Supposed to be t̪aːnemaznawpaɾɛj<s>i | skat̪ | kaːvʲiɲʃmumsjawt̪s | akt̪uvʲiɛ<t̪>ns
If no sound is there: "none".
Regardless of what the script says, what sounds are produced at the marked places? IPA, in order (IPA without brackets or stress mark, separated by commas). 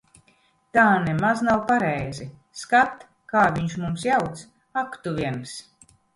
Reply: z, none